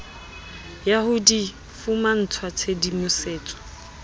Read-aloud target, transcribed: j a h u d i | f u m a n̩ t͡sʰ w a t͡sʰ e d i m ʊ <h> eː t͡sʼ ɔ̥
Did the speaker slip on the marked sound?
yes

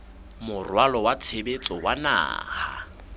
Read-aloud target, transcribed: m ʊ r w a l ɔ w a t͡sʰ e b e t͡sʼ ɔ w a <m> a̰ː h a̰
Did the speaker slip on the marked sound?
yes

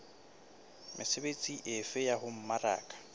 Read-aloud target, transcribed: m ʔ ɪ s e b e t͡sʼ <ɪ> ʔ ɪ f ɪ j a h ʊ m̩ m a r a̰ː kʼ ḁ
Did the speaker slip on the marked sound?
yes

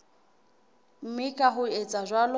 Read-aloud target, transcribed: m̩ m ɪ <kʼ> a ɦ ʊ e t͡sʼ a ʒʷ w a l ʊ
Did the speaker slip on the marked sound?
no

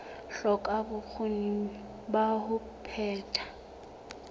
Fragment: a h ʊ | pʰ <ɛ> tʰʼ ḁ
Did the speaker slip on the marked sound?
yes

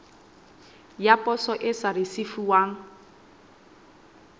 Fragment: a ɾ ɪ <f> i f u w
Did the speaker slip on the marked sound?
yes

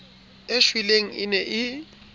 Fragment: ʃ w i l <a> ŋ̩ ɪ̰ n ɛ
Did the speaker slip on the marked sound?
yes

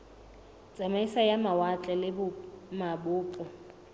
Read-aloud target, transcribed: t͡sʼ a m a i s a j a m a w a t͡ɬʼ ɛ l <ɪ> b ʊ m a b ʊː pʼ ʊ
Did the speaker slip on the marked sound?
no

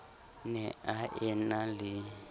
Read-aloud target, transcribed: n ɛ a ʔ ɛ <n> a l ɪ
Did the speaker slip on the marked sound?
no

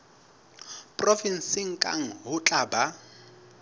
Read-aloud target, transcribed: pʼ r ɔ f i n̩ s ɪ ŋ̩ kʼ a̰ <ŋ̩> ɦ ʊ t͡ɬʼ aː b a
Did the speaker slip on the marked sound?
no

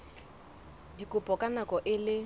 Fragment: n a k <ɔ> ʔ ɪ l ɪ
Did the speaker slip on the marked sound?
no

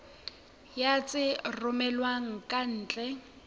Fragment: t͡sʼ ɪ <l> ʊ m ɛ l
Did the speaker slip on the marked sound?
yes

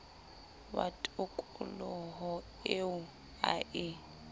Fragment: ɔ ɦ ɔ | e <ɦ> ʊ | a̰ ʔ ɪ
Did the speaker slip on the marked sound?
yes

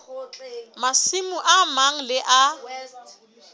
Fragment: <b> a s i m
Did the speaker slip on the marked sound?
yes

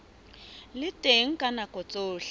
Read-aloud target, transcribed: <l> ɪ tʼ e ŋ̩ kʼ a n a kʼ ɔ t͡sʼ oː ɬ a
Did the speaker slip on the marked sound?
no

